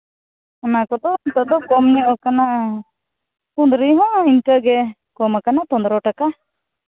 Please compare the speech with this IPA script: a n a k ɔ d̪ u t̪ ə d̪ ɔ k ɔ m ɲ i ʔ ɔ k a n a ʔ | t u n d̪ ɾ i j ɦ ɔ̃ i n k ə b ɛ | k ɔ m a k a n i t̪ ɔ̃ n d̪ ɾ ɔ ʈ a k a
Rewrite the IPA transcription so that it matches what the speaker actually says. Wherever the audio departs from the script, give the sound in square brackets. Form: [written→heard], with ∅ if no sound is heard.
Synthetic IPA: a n a k ɔ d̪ [u→ɔ] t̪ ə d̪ ɔ k ɔ m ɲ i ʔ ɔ k a n a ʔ | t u n d̪ ɾ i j ɦ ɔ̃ i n k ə [b→ɡ] ɛ | k ɔ m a k a n [i→a] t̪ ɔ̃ n d̪ ɾ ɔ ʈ a k a

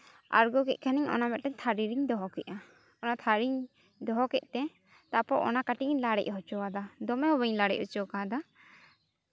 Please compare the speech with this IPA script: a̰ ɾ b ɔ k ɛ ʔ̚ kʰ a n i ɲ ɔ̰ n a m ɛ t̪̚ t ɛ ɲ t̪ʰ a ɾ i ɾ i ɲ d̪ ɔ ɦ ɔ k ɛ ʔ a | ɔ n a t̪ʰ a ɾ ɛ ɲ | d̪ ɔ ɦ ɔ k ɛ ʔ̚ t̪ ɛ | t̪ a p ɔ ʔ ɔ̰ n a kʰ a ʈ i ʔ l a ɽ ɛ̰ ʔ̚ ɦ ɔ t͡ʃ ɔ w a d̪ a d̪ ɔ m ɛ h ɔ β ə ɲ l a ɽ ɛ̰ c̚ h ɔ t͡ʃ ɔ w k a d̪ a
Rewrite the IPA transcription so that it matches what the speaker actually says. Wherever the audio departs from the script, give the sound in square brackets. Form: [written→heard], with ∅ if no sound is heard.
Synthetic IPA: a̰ ɾ [b→ɡ] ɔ k ɛ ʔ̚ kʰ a n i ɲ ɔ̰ n a m ɛ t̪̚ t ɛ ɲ t̪ʰ a ɾ i ɾ i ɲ d̪ ɔ ɦ ɔ k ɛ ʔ a | ɔ n a t̪ʰ a ɾ [ɛ→i] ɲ | d̪ ɔ ɦ ɔ k ɛ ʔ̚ t̪ ɛ | t̪ a p ɔ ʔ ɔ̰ n a [kʰ→k] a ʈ i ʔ l a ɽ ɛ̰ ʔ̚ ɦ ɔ t͡ʃ ɔ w a d̪ a d̪ ɔ m ɛ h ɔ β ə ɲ l a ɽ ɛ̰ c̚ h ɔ t͡ʃ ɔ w k a d̪ a

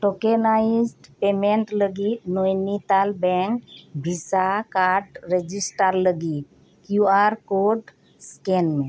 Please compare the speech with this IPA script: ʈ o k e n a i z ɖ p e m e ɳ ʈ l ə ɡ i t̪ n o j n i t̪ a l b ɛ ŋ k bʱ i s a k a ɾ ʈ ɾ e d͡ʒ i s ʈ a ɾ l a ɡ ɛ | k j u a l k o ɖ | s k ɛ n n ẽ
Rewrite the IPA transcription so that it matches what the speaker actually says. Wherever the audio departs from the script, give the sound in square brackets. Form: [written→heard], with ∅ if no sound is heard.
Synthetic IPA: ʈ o k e n a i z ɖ p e m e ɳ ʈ l ə ɡ i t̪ n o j n i t̪ a l b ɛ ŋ k bʱ i s a k a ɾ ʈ ɾ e d͡ʒ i s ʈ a ɾ l [a→ə] ɡ [ɛ→i] | k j u a [l→ɾ] k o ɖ | s k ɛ n [n→m] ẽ

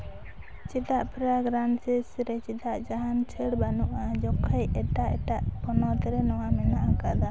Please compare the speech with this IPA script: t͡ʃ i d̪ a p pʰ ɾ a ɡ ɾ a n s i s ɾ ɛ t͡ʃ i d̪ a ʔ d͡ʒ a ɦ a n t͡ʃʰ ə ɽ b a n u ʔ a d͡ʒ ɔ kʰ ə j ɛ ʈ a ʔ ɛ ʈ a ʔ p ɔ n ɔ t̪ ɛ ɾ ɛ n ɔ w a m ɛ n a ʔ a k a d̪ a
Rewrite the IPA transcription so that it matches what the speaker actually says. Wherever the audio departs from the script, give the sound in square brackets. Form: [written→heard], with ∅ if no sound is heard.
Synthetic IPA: t͡ʃ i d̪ a [p→ʔ] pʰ ɾ a ɡ ɾ a n s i s ɾ ɛ t͡ʃ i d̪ a ʔ d͡ʒ a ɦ a n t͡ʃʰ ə ɽ b a n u ʔ a d͡ʒ ɔ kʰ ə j ɛ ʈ a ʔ ɛ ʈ a ʔ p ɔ n ɔ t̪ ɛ ɾ ɛ n ɔ w a m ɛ n a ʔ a k a d̪ a

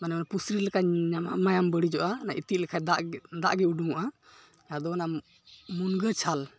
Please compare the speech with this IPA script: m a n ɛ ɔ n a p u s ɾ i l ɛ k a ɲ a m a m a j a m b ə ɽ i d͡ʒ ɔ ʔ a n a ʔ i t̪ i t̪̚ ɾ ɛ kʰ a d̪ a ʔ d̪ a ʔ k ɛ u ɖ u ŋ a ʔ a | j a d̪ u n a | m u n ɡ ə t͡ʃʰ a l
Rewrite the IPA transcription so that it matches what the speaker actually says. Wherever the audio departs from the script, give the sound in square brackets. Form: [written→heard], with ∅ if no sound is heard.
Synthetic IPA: m a n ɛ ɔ n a p u s ɾ i l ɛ k a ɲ a m a m a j a m b ə ɽ i d͡ʒ ɔ ʔ a n a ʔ i t̪ i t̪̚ [ɾ→l] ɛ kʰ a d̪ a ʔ d̪ a ʔ [k→ɡ] ɛ u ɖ u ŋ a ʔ a | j a d̪ [u→ɔ] n a | m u n ɡ ə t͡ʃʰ a l

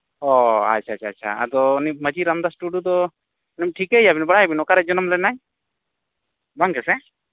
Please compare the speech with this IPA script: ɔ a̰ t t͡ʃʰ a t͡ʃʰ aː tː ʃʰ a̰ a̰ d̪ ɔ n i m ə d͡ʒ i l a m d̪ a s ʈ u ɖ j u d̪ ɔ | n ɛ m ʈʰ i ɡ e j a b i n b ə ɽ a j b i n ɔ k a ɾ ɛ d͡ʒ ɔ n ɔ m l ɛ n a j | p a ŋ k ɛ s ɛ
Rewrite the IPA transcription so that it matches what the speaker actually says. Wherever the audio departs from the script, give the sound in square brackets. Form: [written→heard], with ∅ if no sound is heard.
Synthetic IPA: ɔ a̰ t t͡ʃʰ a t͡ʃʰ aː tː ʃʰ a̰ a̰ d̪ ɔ n i m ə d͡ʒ i [l→ɾ] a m d̪ a s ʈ u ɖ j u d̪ ɔ | n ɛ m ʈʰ i [ɡ→k] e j a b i n b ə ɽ a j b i n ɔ k a ɾ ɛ d͡ʒ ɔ n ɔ m l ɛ n a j | [p→b] a ŋ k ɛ s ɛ

